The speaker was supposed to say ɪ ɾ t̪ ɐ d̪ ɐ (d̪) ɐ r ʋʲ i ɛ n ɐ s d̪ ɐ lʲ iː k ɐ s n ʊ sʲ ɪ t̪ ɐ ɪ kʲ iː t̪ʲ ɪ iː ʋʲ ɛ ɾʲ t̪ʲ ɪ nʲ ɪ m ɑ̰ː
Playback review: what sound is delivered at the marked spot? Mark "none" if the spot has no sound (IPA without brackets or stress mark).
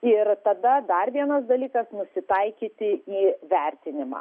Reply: d̪